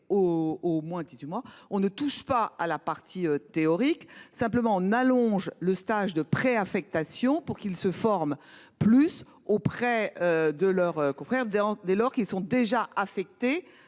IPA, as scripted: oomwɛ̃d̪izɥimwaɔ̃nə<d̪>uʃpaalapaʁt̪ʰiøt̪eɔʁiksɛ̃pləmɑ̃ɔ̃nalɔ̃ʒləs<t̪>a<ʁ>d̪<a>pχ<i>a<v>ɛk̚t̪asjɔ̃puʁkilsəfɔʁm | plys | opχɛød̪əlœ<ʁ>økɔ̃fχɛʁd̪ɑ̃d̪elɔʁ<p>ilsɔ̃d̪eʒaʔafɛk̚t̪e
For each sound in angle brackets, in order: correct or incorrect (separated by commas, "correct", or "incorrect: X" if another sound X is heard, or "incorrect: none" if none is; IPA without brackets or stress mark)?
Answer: incorrect: t̪, correct, incorrect: ʒ, incorrect: ə, incorrect: e, incorrect: f, correct, incorrect: k